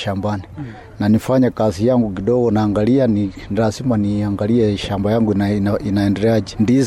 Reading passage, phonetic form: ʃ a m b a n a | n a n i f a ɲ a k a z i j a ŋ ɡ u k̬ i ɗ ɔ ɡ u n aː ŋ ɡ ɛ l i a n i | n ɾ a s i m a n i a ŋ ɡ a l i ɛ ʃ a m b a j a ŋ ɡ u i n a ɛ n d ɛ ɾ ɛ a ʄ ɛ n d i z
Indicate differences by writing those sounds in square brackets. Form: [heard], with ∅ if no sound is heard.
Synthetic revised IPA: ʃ a m b a n [i] | n a n i f a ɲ a k a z i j a ŋ ɡ u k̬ i ɗ ɔ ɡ [ɔ] n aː ŋ ɡ [a] l i a n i | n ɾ a s i m a n i a ŋ ɡ a l i ɛ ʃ a m b a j a ŋ ɡ u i n a ɛ n d ɛ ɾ ɛ a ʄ ɛ n d i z